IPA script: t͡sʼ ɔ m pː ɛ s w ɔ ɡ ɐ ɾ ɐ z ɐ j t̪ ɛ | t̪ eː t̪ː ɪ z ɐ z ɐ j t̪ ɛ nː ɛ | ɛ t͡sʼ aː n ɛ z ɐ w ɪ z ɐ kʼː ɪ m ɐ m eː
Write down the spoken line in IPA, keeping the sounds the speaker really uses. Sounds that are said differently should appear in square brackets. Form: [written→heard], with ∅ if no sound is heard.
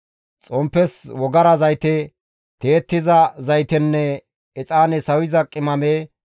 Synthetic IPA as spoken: t͡sʼ ɔ m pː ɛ s w ɔ ɡ ɐ ɾ ɐ z ɐ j t̪ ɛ | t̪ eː t̪ː ɪ z ɐ z ɐ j t̪ ɛ nː ɛ | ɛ t͡sʼ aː n ɛ [z→s] ɐ w ɪ z ɐ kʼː ɪ m ɐ m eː